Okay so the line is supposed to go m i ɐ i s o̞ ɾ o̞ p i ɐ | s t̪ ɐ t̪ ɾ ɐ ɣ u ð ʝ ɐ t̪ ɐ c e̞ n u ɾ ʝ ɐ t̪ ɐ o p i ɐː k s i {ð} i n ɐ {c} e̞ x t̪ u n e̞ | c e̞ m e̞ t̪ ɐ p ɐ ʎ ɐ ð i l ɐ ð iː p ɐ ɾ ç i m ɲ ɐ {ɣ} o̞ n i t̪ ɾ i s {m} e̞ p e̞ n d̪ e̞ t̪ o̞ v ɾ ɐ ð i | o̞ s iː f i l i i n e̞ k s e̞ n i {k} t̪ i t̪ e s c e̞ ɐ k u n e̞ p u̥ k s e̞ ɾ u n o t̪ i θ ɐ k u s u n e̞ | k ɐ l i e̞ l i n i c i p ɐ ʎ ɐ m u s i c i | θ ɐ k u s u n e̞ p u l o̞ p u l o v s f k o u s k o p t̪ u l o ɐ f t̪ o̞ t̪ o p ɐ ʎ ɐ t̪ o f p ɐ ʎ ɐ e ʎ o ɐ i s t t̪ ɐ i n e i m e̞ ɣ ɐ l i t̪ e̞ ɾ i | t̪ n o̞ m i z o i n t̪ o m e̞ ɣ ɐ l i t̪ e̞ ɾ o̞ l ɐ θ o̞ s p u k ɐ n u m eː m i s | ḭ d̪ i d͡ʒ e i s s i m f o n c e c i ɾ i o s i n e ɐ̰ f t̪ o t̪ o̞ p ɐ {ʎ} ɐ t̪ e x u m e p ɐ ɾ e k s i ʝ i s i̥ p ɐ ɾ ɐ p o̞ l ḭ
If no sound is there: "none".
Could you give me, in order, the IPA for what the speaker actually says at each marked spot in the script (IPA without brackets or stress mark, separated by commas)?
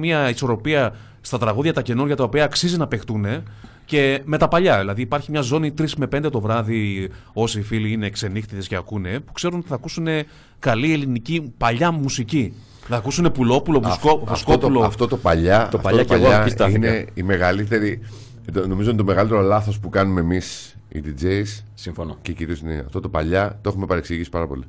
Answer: z, p, z, m, x, ʎ